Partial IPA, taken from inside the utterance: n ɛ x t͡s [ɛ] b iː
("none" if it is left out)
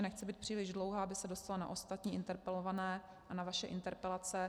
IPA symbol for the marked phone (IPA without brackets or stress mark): ɛ